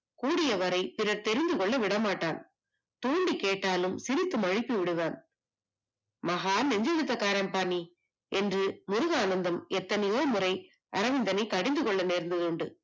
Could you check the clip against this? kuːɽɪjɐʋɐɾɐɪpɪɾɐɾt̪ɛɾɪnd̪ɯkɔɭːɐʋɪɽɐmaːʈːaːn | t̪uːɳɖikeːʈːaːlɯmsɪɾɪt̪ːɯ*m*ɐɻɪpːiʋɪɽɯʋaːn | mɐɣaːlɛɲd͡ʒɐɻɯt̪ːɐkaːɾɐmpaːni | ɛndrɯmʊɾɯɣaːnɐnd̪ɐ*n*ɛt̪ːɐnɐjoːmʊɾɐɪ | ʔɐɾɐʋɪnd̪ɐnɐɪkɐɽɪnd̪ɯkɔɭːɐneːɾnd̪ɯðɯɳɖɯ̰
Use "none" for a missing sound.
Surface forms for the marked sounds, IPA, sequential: m, m

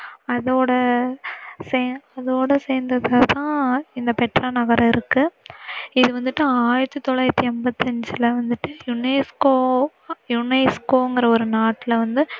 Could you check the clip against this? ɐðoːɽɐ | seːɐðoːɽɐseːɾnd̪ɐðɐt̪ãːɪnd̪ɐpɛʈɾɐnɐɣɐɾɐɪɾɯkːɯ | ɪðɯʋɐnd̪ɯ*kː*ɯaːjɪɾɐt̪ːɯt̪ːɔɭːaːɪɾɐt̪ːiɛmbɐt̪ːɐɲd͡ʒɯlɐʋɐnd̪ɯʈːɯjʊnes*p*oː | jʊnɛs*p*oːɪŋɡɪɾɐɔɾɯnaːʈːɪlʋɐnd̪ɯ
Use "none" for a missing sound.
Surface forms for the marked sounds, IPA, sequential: ʈː, k, k

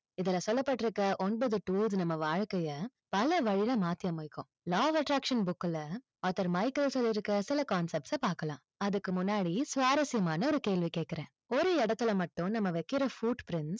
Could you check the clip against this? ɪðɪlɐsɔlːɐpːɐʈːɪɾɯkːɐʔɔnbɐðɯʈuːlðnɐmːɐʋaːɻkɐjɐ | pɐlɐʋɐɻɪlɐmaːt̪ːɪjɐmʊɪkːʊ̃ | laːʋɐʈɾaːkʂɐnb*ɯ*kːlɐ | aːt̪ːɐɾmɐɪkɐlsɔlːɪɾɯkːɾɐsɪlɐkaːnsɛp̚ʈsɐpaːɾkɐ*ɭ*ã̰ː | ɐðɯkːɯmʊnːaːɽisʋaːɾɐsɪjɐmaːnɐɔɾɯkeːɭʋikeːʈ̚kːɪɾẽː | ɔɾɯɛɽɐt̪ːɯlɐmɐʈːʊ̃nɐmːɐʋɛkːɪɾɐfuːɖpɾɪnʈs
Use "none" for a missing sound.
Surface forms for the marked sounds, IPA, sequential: ʊ, l

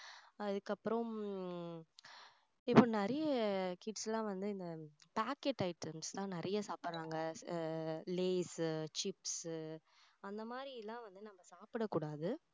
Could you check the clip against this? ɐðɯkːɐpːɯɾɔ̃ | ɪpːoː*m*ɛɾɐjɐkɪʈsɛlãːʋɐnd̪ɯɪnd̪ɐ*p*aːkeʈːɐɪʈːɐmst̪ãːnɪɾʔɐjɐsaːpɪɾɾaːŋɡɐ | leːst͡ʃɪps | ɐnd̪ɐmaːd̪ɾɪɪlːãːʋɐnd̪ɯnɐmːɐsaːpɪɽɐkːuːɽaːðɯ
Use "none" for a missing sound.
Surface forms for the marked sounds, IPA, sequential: n, p

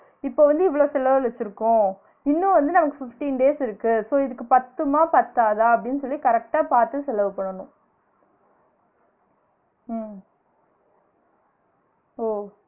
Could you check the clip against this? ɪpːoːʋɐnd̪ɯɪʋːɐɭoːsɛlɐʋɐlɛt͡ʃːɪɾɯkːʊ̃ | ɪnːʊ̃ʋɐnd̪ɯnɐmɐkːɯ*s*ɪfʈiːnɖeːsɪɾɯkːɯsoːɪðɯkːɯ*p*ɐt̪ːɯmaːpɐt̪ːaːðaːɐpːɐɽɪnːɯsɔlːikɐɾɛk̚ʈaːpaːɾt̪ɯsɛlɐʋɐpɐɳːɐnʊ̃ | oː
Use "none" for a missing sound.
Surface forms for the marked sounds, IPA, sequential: f, p

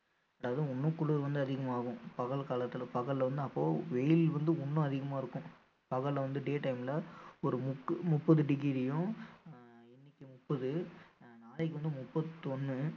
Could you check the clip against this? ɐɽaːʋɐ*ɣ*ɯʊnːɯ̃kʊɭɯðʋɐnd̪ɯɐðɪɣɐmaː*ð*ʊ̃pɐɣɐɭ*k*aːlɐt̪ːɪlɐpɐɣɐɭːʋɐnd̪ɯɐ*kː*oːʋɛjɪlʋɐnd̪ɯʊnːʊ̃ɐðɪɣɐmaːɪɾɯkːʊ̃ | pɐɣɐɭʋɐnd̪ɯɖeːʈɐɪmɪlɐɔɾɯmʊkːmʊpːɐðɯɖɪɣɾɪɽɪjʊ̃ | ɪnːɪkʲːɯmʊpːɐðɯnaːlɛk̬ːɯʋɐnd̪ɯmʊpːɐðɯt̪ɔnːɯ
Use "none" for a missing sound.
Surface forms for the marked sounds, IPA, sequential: ð, ɣ, k, pː

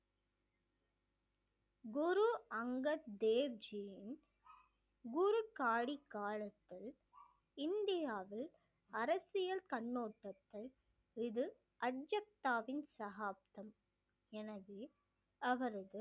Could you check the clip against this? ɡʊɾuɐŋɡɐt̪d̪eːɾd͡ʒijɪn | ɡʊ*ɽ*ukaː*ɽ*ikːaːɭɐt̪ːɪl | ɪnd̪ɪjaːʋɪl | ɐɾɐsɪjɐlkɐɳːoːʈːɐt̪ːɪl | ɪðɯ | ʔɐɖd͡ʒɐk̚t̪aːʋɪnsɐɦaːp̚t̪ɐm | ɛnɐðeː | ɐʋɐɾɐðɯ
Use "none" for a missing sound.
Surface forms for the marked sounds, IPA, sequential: ɾ, ɽ

